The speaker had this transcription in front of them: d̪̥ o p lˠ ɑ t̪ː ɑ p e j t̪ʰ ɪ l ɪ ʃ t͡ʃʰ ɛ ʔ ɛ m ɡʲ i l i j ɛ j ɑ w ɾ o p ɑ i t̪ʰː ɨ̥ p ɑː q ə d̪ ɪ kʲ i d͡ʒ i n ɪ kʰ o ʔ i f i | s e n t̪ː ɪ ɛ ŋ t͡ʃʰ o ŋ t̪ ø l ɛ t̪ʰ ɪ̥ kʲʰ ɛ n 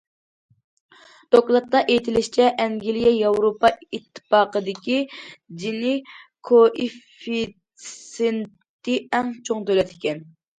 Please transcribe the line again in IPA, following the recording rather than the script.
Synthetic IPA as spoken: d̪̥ o k lˠ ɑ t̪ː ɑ ʔ e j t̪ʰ ɪ l ɪ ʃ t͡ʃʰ ɛ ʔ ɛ ŋ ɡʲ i l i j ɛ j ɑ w ɾ o p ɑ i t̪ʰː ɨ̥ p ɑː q ə d̪ ɪ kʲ i d͡ʒ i n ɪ kʰ o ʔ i f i | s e n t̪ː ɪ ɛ ŋ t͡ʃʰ o ŋ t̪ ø l ɛ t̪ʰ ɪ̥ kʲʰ ɛ n